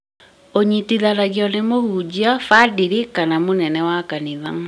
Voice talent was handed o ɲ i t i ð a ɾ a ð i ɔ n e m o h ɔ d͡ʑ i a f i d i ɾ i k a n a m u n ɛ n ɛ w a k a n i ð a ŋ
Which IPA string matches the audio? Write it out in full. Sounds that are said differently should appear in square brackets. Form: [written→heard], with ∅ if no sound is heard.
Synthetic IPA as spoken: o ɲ i t i ð a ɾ a [ð→ɣ] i ɔ n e m o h [ɔ→u] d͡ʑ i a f [i→a] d i ɾ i k a n a m [u→o] n ɛ n ɛ w a k a n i ð a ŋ